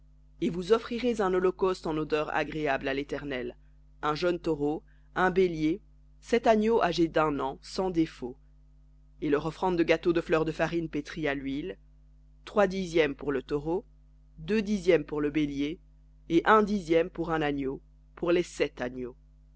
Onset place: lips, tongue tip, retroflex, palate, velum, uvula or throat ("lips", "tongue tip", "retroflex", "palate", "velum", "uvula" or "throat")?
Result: lips